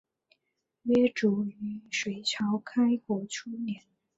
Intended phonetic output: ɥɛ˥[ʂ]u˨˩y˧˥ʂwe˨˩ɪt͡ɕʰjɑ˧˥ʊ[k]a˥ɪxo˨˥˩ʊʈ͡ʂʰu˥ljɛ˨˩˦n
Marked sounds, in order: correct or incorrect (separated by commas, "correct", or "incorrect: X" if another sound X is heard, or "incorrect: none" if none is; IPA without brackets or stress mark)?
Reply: incorrect: ʈ͡ʂ, incorrect: kʰ